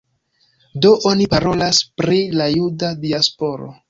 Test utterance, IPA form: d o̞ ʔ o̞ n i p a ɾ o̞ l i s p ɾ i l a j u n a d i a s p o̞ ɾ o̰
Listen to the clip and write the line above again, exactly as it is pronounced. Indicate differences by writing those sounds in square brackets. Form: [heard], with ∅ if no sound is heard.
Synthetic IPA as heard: d o̞ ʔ o̞ n i p a ɾ o̞ l [a] s p ɾ i l a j u [d] a d i a s p o̞ ɾ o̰